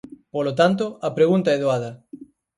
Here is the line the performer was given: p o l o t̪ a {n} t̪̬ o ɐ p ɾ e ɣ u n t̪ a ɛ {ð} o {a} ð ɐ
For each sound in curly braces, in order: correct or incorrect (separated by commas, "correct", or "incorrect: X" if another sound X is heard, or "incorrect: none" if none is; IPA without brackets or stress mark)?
correct, correct, correct